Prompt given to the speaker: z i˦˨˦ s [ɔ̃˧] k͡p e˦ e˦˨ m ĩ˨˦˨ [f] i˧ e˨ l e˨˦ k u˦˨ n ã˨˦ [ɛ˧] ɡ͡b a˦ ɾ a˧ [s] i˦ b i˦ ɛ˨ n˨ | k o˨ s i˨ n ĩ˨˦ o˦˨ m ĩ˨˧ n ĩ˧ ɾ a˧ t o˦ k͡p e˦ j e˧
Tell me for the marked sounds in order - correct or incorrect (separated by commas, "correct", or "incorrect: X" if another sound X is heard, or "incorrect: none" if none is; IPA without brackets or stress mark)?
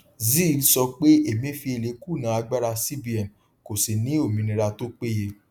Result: incorrect: ɔ˧, correct, incorrect: a˧, correct